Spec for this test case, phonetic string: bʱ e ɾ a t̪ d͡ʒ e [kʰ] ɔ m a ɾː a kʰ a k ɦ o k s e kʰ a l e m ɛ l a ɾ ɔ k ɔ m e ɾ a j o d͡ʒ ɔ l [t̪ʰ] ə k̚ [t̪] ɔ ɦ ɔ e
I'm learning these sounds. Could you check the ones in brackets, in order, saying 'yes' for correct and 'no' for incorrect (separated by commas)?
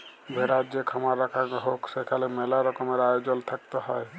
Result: yes, yes, yes